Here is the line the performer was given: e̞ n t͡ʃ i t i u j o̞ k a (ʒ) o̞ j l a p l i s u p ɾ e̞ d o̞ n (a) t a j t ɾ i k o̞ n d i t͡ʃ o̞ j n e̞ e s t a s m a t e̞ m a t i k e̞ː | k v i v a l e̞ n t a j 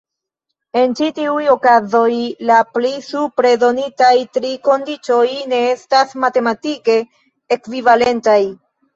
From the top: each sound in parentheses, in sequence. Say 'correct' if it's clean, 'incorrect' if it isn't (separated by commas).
incorrect, incorrect